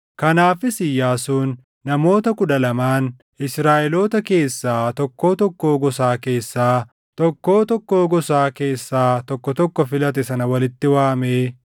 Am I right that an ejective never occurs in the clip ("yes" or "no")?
yes